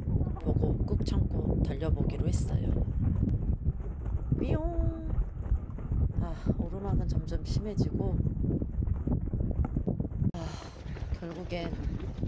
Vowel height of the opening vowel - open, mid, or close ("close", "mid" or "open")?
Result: mid